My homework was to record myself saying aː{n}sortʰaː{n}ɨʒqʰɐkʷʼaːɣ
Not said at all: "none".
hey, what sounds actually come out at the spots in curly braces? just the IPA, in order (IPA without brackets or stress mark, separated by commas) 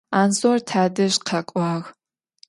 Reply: n, d